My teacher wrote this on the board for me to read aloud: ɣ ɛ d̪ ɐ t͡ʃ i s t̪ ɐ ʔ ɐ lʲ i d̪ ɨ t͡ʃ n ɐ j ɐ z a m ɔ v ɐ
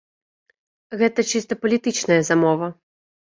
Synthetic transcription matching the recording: ɣ ɛ t̪ ɐ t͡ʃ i s t̪ ɐ p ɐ lʲ i t̪ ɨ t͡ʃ n ɐ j ɐ z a m ɔ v ɐ